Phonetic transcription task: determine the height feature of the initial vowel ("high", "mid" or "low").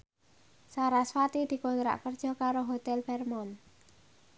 low